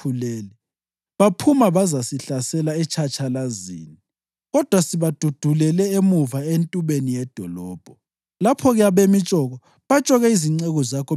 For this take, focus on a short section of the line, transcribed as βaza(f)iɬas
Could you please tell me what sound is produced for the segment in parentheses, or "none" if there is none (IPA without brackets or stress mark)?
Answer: s